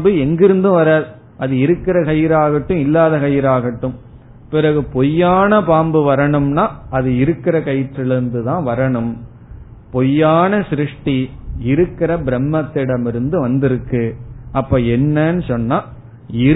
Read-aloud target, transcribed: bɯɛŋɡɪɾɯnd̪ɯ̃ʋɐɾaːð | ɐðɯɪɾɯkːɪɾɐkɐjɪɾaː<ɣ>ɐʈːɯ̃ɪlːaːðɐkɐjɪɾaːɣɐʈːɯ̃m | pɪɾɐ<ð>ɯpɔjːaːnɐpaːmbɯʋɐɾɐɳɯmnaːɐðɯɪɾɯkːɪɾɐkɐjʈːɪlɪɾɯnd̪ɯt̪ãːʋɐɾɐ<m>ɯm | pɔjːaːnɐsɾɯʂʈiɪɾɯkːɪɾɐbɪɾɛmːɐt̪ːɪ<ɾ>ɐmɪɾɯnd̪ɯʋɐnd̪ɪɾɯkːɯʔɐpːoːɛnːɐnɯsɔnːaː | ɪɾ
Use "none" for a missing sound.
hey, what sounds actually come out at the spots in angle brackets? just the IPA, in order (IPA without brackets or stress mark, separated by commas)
ɣ, ɣ, ɳ, ɽ